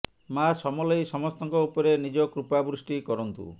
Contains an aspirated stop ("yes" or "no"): no